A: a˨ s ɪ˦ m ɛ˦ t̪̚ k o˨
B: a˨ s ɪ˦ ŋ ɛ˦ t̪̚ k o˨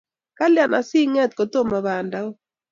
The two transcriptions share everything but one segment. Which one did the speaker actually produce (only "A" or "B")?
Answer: B